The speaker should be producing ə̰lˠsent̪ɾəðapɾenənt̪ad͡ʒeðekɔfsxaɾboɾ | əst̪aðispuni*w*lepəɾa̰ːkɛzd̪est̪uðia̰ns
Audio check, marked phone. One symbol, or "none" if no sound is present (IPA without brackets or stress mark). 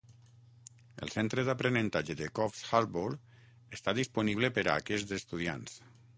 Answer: β